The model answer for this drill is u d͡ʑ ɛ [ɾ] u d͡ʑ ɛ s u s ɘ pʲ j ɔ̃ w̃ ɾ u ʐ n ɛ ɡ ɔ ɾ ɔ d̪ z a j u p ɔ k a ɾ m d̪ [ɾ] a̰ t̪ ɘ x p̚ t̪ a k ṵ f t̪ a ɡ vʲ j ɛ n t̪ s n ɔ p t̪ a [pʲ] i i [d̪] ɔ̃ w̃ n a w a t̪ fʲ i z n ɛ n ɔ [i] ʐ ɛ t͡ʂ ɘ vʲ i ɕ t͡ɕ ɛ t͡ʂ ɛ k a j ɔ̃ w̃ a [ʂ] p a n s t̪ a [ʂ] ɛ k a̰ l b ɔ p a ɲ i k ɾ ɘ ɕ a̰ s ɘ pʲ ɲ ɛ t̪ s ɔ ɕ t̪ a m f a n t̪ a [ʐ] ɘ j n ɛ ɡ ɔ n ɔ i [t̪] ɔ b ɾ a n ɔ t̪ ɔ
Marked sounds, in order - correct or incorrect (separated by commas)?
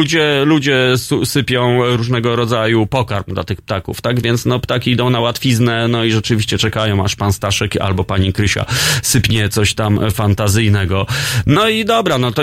incorrect, incorrect, incorrect, correct, correct, correct, correct, incorrect, incorrect